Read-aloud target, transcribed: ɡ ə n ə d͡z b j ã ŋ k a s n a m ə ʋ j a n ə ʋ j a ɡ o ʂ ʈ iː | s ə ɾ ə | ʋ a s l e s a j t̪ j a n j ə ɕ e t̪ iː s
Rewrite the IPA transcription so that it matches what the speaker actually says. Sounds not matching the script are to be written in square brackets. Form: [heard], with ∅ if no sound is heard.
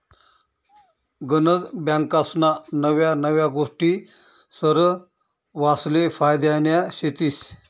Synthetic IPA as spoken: ɡ ə n ə d͡z b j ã ŋ k a s n a [n] ə ʋ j a n ə ʋ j a ɡ o ʂ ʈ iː | s ə ɾ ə | ʋ a s l e [f] a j [d̪] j a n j [a] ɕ e t̪ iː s

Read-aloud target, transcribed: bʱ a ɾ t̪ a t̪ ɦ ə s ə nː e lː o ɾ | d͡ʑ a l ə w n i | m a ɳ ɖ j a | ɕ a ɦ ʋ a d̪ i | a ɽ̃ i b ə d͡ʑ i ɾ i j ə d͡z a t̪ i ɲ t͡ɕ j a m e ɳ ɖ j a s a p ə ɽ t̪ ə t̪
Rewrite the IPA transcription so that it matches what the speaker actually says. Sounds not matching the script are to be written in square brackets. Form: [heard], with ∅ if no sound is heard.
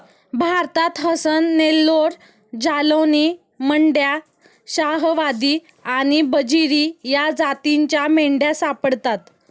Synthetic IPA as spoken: bʱ a ɾ t̪ a t̪ ɦ ə s ə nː e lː o ɾ | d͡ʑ a l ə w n i | m [ə] ɳ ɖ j a | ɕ a ɦ ʋ a d̪ i | a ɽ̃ i b ə d͡ʑ i ɾ i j [a] d͡z a t̪ i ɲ t͡ɕ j a m e ɳ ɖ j a s a p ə ɽ t̪ [a] t̪

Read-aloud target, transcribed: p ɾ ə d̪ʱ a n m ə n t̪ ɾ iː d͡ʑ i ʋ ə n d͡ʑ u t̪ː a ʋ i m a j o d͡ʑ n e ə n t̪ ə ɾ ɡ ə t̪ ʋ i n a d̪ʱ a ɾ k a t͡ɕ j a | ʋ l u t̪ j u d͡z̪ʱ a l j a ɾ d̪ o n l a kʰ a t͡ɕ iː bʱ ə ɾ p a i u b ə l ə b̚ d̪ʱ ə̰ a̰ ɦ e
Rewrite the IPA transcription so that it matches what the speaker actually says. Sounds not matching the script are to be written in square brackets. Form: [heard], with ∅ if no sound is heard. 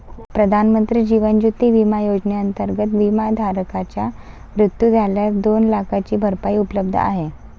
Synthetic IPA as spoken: p ɾ ə d̪ʱ a n m ə n t̪ ɾ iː d͡ʑ i ʋ ə n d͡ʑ u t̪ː [i] ʋ i m a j o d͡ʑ n e ə n t̪ ə ɾ ɡ ə t̪ ʋ i [m] a d̪ʱ a ɾ k a t͡ɕ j a | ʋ [ɾ] u t̪ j u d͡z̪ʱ a l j a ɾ d̪ o n l a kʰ a t͡ɕ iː bʱ ə ɾ p a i u [p] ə l ə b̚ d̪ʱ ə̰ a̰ ɦ e

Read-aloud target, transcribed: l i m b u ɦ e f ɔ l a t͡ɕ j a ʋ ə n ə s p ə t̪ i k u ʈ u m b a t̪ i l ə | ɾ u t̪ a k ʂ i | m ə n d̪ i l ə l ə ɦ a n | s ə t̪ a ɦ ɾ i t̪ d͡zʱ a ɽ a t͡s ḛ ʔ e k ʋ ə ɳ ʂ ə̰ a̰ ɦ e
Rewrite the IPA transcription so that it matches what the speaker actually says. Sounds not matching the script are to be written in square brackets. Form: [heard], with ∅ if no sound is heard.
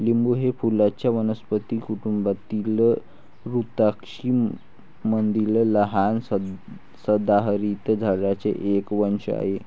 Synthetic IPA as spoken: l i m b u ɦ e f [u] l a t͡ɕ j a ʋ ə n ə s p ə t̪ i k u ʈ u m b a t̪ i l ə | ɾ u t̪ a k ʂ i | m ə n d̪ i l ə l ə ɦ a n | s ə [d̪] a ɦ ɾ i t̪ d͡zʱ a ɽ a t͡s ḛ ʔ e k ʋ ə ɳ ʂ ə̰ a̰ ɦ e

